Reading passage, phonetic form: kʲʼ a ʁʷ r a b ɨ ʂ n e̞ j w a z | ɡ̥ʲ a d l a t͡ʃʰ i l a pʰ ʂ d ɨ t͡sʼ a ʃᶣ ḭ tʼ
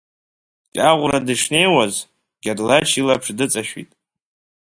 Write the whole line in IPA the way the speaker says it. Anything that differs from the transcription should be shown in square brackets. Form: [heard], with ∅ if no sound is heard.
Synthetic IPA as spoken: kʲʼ a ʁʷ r a [d] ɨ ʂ n e̞ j w a z | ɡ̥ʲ a d l a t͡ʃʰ i l a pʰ ʂ d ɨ t͡sʼ a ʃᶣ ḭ tʼ